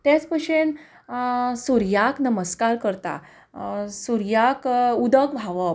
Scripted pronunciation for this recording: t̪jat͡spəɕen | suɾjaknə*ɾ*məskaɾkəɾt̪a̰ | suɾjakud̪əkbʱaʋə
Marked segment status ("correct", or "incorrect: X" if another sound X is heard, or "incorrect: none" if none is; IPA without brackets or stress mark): incorrect: none